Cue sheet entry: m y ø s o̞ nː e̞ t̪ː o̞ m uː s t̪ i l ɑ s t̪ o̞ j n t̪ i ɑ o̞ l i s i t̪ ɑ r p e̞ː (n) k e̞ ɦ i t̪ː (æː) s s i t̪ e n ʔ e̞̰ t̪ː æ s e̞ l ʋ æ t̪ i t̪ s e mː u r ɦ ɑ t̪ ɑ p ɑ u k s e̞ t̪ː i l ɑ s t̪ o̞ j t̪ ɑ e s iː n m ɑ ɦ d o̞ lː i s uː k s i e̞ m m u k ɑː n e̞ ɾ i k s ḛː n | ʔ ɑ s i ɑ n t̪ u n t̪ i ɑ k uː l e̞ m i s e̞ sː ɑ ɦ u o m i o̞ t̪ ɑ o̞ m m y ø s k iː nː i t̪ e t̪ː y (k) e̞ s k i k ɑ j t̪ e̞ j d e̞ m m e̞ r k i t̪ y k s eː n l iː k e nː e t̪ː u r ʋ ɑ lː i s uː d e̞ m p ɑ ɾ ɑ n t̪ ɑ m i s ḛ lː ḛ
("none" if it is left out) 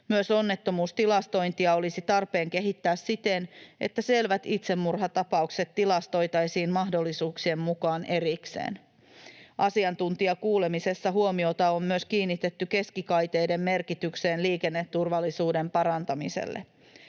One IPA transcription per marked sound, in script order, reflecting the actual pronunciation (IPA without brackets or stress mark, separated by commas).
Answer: ŋ, æː, k